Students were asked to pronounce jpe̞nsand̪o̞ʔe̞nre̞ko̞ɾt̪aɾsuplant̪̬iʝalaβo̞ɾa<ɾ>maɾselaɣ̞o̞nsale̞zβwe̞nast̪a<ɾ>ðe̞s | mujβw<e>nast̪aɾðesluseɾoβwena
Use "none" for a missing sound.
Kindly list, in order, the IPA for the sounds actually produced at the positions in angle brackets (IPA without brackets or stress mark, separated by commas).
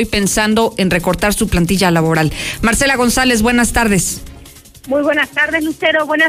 l, ɾ, e